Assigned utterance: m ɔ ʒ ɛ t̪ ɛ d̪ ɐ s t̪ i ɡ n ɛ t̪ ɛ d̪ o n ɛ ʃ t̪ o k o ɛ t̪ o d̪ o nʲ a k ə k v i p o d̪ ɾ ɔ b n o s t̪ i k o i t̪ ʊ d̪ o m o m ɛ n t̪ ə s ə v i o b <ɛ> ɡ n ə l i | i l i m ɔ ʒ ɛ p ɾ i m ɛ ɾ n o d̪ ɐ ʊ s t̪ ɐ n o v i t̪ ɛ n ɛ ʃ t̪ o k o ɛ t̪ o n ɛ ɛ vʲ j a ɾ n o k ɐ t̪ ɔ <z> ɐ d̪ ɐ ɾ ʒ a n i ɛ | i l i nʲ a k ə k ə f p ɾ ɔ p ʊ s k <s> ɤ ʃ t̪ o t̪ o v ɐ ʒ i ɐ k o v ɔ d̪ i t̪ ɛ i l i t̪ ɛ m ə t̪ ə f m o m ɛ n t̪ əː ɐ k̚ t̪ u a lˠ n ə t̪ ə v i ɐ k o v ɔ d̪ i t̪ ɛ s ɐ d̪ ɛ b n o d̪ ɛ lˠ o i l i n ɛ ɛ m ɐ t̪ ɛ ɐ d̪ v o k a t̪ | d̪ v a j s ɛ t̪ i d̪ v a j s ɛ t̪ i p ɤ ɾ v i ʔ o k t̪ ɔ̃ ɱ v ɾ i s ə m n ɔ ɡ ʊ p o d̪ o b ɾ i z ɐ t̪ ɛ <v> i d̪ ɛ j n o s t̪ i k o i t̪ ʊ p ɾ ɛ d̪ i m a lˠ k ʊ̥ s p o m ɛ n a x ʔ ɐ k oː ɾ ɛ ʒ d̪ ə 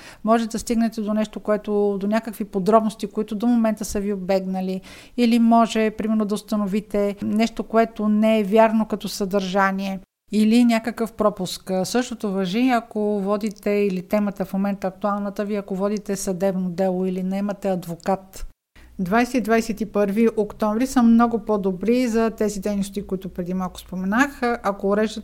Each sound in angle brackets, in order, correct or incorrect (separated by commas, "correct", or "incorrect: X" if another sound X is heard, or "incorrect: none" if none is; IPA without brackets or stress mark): correct, incorrect: s, correct, incorrect: z